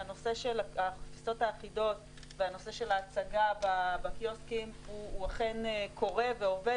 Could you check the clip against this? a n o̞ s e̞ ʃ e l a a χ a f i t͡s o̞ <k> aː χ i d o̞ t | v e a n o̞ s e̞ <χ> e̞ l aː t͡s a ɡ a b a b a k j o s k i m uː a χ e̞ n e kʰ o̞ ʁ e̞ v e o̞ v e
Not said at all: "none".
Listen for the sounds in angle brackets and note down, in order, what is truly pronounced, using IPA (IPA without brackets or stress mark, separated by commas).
t, ʃ